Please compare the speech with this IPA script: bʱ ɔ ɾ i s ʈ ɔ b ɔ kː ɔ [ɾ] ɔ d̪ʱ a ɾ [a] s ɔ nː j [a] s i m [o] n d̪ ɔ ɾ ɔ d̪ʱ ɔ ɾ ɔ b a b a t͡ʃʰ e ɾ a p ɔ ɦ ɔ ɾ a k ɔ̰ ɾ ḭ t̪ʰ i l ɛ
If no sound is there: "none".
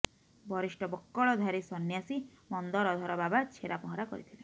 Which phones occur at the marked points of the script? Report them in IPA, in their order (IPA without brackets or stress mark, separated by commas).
ɭ, i, a, ɔ